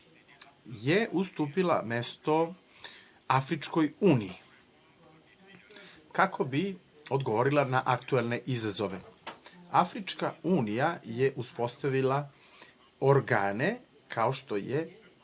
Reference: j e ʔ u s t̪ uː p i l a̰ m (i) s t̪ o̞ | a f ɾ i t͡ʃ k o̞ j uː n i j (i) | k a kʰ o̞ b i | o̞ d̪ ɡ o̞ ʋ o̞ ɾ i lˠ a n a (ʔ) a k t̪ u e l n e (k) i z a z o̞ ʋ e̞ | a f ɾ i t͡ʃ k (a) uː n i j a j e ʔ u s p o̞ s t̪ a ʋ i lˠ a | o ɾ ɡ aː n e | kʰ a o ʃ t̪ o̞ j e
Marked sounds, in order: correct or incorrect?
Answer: incorrect: e, correct, correct, incorrect: ʔ, correct

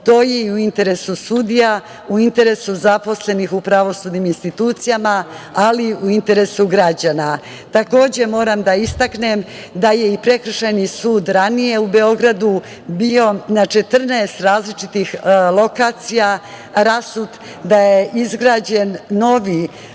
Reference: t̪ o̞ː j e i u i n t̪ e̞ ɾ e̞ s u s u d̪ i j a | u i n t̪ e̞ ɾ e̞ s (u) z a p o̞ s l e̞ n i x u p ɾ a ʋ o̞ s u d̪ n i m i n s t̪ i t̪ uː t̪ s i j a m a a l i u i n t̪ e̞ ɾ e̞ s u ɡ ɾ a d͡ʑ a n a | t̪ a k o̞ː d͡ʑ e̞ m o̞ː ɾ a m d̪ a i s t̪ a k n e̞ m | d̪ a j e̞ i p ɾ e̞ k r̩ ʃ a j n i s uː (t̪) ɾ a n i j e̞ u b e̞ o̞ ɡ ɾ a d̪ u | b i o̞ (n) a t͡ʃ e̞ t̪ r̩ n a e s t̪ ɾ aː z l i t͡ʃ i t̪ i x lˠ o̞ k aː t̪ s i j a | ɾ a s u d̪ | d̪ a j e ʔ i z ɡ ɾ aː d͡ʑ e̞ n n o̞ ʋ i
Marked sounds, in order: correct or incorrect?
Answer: correct, incorrect: d̪, correct

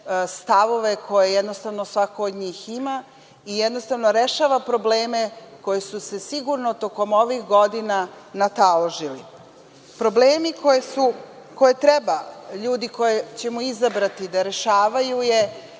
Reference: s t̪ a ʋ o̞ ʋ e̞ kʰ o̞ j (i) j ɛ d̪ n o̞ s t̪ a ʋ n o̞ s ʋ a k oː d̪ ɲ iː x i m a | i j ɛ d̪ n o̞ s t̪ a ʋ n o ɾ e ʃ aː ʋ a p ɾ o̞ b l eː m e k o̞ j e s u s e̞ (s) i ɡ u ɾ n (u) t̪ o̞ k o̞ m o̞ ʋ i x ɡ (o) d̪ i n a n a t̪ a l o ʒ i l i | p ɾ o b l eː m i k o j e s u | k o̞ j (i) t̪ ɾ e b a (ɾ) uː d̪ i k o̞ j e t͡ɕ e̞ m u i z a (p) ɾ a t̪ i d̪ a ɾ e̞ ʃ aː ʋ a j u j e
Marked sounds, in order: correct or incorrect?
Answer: incorrect: e, correct, incorrect: o, correct, incorrect: e, incorrect: ʎ, incorrect: b

